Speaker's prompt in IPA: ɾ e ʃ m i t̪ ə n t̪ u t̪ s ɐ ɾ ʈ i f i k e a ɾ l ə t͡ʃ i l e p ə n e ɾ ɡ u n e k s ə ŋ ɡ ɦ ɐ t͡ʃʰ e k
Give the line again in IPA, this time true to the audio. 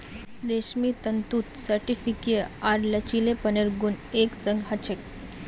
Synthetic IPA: ɾ e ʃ m i t̪ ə n t̪ u t̪ s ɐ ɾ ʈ i f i k e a ɾ l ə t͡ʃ i l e p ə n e ɾ ɡ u n e k s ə ŋ ɡ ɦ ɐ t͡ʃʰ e k